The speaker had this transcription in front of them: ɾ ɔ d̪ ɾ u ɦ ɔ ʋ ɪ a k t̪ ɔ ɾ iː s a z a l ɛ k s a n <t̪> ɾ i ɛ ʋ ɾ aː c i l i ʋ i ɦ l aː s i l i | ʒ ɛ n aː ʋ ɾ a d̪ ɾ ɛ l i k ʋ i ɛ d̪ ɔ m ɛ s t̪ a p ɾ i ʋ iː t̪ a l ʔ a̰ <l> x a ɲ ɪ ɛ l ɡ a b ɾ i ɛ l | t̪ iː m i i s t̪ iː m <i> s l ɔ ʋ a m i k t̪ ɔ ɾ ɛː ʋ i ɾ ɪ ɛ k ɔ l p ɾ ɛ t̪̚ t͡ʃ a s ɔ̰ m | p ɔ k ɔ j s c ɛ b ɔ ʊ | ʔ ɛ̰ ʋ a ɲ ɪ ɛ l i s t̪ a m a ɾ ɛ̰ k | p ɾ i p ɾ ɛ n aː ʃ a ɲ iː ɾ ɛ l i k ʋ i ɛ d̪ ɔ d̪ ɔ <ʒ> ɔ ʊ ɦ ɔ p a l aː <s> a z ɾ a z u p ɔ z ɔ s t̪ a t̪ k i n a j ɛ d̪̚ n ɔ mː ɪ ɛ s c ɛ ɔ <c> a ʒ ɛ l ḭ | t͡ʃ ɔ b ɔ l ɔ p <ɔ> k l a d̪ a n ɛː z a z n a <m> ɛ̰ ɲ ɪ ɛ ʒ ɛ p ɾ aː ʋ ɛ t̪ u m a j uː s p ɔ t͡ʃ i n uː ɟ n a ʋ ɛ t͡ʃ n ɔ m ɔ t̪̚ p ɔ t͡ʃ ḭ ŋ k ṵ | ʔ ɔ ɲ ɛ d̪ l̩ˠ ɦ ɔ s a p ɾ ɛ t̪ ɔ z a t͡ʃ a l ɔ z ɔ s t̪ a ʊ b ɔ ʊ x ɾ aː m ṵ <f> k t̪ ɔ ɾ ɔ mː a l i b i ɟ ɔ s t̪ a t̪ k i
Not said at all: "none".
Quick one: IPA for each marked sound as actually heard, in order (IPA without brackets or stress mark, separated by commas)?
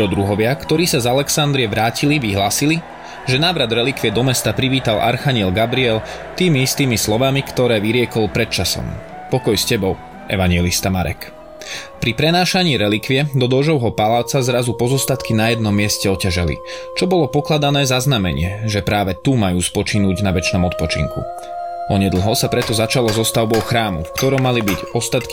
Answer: d̪, ɾ, i, ʒ, t͡s, c, ɔ, m, f